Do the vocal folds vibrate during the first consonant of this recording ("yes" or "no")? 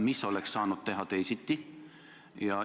yes